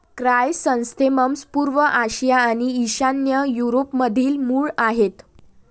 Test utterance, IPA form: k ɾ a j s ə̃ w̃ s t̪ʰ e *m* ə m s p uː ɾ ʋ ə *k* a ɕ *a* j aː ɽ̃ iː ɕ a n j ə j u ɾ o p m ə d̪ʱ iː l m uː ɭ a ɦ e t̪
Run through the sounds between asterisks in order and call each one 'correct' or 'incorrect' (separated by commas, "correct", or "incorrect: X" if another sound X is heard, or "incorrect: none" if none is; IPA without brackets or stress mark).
correct, incorrect: ʔ, incorrect: i